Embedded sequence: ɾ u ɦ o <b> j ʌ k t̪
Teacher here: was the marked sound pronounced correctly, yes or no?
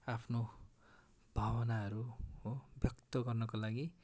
yes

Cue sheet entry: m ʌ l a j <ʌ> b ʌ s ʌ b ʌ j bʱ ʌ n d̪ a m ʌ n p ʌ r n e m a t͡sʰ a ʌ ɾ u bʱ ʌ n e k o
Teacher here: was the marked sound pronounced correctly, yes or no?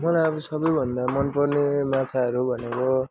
yes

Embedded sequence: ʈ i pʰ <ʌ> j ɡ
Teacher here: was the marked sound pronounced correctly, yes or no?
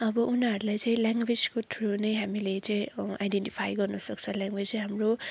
no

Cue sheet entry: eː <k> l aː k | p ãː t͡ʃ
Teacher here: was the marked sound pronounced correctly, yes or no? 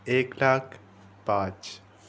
yes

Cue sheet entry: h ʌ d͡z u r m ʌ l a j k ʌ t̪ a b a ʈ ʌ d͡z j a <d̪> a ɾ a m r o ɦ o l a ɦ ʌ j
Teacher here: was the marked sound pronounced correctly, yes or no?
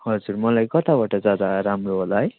yes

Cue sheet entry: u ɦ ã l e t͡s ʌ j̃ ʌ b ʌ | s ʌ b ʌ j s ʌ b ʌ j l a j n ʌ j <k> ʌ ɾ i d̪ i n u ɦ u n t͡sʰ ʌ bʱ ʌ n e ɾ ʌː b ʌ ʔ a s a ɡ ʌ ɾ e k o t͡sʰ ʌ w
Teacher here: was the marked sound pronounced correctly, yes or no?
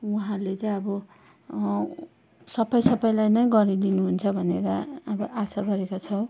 no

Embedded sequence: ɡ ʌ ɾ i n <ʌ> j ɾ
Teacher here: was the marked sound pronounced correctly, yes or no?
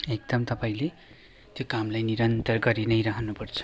yes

